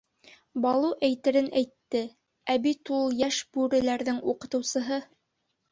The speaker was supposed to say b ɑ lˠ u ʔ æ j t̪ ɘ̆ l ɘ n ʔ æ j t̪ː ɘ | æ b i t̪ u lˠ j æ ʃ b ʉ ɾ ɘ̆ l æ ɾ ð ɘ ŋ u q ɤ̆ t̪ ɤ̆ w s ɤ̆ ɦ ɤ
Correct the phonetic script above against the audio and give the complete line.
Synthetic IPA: b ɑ lˠ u ʔ æ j t̪ ɘ̆ ɾ ɘ n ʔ æ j t̪ː ɘ | æ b i t̪ u lˠ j æ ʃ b ʉ ɾ ɘ̆ l æ ɾ ð ɘ ŋ u q ɤ̆ t̪ ɤ̆ w s ɤ̆ ɦ ɤ